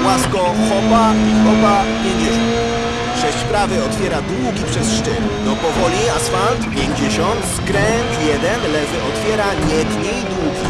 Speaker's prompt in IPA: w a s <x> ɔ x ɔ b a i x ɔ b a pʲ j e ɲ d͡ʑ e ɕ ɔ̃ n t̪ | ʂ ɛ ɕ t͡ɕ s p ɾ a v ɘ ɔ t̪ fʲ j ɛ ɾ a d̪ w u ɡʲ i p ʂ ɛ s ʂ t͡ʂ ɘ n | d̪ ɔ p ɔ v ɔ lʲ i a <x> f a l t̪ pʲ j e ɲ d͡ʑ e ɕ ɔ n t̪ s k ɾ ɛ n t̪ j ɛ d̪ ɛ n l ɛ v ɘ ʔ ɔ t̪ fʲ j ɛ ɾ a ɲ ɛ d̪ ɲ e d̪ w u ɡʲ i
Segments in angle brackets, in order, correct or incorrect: incorrect, incorrect

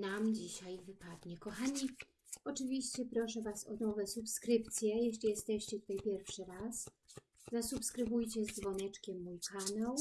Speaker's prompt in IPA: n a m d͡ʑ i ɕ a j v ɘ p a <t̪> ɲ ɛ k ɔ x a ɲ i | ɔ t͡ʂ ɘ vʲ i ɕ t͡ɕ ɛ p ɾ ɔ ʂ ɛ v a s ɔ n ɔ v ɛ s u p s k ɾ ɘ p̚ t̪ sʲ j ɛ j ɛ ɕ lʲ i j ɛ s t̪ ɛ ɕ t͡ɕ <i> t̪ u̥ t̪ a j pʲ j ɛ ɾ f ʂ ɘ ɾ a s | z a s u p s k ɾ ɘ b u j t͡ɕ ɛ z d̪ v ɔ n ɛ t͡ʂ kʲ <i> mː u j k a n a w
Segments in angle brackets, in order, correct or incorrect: incorrect, incorrect, incorrect

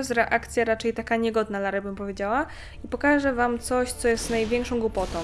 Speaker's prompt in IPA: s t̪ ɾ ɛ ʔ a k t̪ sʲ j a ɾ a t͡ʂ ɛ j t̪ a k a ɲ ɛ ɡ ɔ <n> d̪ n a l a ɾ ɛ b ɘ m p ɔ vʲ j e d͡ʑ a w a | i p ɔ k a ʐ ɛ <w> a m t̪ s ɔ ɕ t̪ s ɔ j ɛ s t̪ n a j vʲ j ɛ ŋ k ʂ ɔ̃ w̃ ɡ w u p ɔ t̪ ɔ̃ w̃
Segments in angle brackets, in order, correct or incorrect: incorrect, incorrect

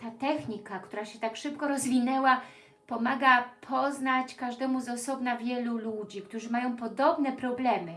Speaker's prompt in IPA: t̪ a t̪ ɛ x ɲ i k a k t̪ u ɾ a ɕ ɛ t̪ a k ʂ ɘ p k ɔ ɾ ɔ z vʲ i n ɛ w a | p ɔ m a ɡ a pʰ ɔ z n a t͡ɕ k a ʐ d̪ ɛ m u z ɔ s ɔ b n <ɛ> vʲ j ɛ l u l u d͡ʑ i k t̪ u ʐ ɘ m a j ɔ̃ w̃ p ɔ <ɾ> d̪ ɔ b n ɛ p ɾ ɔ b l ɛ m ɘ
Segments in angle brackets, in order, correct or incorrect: incorrect, incorrect

